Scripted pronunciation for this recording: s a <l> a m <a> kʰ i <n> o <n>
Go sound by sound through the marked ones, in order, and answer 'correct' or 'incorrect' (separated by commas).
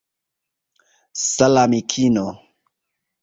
correct, incorrect, correct, incorrect